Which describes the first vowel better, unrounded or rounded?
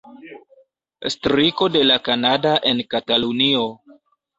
unrounded